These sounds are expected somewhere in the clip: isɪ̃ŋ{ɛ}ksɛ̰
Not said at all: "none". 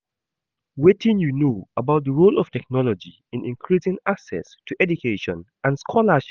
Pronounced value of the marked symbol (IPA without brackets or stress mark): a